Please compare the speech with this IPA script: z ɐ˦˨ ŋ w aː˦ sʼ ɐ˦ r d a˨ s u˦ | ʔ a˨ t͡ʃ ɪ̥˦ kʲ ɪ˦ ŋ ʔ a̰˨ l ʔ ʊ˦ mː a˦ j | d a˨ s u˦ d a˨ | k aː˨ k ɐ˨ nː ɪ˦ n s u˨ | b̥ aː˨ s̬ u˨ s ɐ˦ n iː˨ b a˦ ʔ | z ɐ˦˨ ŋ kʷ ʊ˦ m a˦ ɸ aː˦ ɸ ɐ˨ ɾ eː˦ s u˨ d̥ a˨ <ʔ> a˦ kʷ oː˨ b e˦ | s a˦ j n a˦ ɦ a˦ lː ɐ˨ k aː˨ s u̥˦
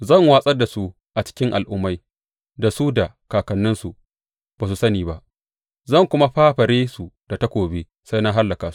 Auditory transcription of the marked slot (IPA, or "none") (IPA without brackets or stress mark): t